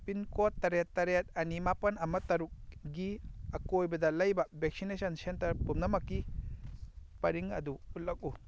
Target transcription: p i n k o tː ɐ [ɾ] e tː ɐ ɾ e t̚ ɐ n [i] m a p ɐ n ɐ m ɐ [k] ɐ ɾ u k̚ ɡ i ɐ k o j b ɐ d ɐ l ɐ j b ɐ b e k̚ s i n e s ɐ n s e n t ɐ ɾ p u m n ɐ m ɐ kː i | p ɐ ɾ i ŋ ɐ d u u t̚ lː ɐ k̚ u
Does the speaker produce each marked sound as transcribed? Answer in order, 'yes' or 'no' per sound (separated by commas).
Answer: yes, yes, no